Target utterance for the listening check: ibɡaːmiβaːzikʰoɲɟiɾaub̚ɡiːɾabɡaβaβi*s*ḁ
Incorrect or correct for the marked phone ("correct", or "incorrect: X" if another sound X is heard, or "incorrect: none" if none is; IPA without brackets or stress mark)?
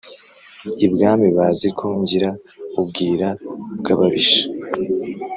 incorrect: ʃ